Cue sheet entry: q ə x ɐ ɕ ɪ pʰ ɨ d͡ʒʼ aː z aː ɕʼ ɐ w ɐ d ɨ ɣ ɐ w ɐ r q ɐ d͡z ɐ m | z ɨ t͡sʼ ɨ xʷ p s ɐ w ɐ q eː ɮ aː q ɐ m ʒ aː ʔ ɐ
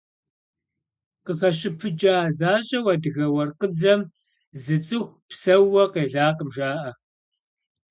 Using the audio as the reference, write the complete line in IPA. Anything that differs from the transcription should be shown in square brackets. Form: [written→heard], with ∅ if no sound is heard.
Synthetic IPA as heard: q ə x ɐ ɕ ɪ pʰ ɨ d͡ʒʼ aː z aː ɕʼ ɐ w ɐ d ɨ ɣ ɐ w ɐ r q [ɐ→ə] d͡z ɐ m | z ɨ t͡sʼ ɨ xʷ p s ɐ w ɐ q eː ɮ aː q [ɐ→ə] m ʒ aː ʔ ɐ